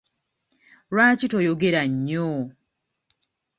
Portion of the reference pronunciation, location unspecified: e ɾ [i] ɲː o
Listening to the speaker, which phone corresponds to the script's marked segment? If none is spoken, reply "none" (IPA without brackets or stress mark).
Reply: a